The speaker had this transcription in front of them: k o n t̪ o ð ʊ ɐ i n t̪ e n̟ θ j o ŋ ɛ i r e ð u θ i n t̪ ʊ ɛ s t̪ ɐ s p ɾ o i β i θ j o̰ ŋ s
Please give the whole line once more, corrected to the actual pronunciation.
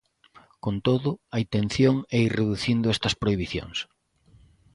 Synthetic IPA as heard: k o n t̪ o ð ʊ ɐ i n t̪ e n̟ θ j o ŋ ɛ i r e ð u θ i n d̪ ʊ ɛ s t̪ ɐ s p ɾ o i β i θ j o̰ ŋ s